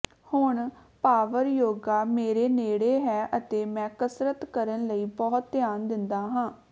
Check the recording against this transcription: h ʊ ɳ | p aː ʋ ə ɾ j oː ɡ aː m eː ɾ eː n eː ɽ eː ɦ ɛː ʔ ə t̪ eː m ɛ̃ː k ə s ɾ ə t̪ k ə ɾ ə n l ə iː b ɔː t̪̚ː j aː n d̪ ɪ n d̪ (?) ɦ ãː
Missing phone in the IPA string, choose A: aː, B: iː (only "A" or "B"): A